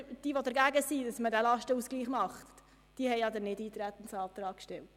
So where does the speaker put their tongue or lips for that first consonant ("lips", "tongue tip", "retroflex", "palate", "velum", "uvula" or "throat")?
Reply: tongue tip